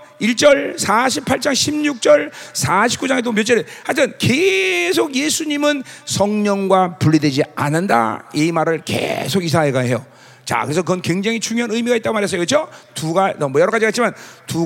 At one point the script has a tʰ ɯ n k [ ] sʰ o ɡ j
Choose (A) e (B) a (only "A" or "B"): A